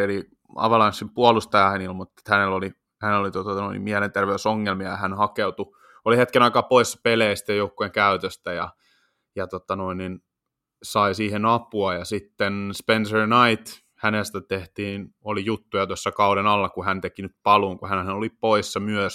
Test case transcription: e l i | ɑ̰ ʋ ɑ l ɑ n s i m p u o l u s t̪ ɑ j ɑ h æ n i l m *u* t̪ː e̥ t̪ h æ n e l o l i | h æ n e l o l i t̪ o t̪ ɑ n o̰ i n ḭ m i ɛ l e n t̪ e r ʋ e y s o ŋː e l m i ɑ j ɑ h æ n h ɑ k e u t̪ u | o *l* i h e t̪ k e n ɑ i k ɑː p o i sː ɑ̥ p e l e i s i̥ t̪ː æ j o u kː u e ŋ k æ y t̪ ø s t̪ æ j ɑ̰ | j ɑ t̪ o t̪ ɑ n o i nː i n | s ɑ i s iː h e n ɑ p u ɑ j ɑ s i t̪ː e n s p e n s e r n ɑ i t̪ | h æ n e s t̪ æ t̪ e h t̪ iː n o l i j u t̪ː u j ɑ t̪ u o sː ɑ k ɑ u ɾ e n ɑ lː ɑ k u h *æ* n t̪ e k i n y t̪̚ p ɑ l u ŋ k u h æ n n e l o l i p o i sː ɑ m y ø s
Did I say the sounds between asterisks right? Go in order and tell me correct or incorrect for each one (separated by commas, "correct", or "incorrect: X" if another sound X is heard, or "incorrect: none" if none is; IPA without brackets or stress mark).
correct, correct, correct